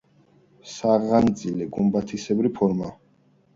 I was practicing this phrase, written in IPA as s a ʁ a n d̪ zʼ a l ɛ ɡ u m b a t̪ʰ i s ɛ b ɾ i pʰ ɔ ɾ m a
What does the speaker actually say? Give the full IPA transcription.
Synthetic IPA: s a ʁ a n d̪ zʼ i l ɛ ɡ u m b a t̪ʰ i s ɛ b ɾ i pʰ ɔ ɾ m a